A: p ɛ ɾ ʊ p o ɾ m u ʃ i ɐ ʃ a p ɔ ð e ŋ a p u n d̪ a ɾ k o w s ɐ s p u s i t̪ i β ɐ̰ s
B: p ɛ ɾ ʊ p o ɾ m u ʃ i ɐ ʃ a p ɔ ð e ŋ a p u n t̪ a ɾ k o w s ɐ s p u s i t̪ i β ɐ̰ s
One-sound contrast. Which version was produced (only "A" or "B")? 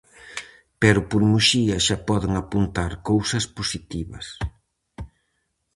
B